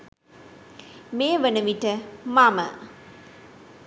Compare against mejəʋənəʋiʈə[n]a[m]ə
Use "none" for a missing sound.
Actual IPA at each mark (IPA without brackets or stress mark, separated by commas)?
m, m